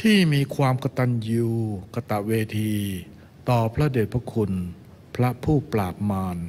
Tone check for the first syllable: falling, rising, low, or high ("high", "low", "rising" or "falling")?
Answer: falling